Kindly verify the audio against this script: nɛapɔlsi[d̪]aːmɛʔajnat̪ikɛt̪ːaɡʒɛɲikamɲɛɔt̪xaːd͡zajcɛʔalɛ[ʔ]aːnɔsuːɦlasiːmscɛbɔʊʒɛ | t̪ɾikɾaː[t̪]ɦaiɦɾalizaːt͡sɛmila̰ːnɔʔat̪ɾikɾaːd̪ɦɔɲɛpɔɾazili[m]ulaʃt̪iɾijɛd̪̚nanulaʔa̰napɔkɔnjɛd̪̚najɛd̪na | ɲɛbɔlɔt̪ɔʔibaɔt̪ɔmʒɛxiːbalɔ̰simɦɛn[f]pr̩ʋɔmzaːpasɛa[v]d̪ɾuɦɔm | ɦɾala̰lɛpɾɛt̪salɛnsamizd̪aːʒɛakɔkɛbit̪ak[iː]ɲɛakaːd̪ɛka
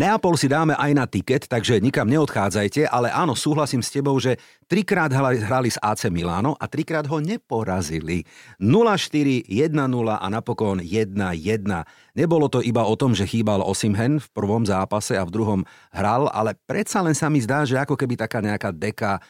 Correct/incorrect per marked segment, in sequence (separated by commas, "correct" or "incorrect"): correct, correct, incorrect, incorrect, correct, correct, incorrect